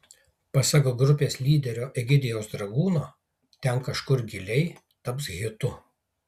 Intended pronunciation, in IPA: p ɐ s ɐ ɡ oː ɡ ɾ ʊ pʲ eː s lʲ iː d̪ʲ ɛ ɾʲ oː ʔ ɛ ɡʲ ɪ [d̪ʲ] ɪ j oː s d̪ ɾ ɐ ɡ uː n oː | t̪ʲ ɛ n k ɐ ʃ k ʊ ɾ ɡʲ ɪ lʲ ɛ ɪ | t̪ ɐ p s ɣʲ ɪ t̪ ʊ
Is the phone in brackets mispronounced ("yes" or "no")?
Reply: no